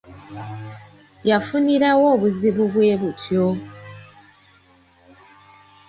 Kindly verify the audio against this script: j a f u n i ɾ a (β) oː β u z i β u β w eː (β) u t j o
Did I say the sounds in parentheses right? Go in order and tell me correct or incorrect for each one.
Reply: incorrect, correct

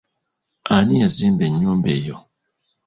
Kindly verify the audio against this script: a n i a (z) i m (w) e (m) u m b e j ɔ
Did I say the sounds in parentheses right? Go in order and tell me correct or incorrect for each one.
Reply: correct, incorrect, incorrect

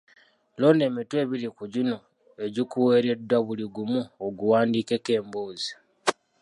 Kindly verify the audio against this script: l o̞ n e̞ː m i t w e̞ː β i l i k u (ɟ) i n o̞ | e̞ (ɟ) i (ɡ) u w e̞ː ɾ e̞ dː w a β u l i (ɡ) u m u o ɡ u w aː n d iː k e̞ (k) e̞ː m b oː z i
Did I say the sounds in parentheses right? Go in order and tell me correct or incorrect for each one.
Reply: correct, correct, incorrect, correct, correct

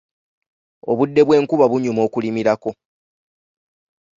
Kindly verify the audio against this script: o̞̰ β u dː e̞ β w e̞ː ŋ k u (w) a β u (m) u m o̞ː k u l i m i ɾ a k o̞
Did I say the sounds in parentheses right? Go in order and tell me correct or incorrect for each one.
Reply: incorrect, incorrect

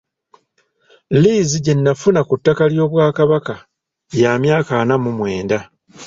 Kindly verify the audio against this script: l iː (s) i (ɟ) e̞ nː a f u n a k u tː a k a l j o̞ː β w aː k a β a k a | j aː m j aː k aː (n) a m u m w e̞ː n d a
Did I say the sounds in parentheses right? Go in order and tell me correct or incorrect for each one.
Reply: incorrect, correct, correct

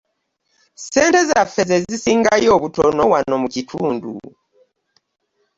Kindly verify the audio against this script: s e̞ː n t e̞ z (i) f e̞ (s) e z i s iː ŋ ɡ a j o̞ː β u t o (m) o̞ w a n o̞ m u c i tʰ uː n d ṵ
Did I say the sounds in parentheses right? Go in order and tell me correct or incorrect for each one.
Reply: incorrect, incorrect, incorrect

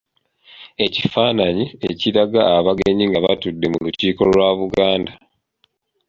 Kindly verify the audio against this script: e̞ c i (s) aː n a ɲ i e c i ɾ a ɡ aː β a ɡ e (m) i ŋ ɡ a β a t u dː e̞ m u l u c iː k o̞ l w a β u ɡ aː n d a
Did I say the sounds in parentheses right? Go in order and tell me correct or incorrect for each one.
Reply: incorrect, incorrect

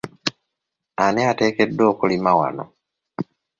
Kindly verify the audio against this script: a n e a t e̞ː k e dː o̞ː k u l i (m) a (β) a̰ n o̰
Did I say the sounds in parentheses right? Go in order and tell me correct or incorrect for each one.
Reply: correct, incorrect

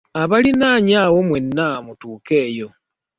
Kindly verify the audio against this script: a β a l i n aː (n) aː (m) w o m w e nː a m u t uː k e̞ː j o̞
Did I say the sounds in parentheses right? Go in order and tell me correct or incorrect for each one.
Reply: incorrect, incorrect

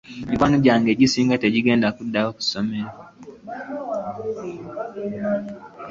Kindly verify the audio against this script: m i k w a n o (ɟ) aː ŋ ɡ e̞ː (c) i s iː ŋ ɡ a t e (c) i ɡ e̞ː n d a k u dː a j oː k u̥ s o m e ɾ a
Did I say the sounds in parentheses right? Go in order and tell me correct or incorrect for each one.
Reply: correct, incorrect, incorrect

